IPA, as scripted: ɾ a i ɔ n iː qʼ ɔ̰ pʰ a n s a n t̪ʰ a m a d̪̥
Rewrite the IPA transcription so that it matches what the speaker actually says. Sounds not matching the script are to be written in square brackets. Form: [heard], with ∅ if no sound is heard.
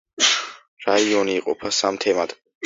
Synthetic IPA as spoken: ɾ a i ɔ n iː qʼ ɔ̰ pʰ a [∅] s a [m] t̪ʰ [ɛ] m a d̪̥